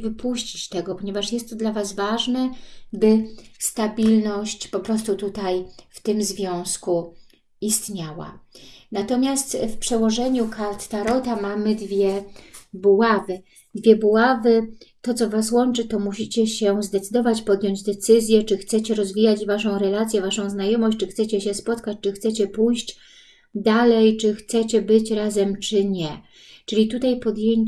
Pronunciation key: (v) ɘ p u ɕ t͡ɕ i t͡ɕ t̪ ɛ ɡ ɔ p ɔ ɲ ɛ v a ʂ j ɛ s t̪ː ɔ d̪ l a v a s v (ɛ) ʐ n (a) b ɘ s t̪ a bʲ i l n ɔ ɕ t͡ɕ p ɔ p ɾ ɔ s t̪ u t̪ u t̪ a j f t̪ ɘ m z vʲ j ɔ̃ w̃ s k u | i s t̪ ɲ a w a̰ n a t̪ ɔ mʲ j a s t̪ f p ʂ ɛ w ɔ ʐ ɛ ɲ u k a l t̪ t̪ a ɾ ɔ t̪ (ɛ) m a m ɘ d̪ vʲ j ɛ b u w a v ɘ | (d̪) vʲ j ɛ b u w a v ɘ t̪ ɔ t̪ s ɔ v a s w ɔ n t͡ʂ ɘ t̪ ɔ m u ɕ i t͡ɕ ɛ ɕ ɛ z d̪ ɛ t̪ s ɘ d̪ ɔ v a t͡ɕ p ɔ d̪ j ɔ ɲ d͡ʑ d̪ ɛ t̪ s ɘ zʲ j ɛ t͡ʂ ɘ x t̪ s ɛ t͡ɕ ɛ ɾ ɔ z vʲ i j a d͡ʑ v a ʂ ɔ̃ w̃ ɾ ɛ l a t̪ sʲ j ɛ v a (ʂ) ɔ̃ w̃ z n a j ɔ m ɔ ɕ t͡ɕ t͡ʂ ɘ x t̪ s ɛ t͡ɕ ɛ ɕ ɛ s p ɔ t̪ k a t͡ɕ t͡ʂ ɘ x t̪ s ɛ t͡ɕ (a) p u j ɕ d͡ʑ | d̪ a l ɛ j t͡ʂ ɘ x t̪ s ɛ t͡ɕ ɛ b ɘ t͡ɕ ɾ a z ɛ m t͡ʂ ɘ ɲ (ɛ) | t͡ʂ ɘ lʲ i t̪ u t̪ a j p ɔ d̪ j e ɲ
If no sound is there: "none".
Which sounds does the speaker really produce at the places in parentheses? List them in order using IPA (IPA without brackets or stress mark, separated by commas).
v, a, ɛ, a, d̪, ʂ, ɛ, ɛ